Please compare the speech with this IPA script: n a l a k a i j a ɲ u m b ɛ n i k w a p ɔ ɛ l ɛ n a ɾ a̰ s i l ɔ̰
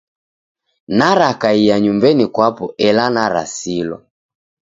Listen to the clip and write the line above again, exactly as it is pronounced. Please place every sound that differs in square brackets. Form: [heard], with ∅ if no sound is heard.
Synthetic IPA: n a [ɾ] a k a i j a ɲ u m b ɛ n i k w a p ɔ ɛ l [a] n a ɾ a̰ s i l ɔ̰